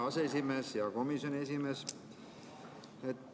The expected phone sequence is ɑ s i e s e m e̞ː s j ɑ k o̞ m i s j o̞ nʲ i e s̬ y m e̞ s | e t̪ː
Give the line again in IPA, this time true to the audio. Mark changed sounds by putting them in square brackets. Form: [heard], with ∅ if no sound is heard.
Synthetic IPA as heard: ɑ s [e] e s [i] m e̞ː s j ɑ k o̞ m i s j o̞ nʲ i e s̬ [i] m e̞ s | e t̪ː